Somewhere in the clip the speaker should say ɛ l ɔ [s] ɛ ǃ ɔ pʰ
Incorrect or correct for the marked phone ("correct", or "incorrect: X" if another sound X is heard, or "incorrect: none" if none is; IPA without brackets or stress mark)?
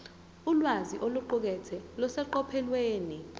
correct